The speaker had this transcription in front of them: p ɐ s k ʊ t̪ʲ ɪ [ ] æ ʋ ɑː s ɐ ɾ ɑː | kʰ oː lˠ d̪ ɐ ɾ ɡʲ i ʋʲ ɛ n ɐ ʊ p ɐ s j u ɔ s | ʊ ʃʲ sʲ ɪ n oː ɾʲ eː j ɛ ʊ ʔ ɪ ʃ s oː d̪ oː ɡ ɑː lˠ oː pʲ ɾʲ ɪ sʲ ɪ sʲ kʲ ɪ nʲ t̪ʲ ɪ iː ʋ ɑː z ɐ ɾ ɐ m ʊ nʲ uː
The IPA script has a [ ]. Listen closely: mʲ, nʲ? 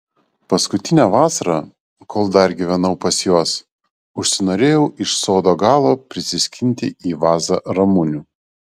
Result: nʲ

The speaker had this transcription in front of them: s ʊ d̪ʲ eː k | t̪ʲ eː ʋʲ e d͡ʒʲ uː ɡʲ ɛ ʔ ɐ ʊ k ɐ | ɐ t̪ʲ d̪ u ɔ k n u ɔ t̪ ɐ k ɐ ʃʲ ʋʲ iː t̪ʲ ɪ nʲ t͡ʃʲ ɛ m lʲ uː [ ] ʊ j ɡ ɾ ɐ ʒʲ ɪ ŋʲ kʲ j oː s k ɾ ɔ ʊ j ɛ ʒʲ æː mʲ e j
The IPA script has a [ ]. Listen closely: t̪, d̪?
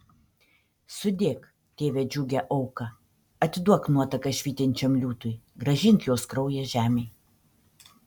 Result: t̪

